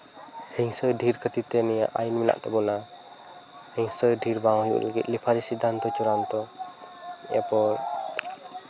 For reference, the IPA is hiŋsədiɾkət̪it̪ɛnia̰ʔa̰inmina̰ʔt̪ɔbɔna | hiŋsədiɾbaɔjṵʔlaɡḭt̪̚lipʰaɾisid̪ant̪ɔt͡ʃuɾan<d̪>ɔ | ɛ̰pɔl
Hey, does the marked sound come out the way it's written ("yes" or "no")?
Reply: no